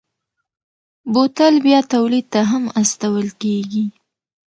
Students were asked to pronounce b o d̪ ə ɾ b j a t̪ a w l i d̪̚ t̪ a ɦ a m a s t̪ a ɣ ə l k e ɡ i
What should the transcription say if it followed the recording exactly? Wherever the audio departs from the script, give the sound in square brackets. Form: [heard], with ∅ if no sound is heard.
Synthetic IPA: b o [t̪] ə [l] b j [ɑ] t̪ a w l i d̪̚ t̪ a ɦ a m a s t̪ a [w] ə l k e ɡ i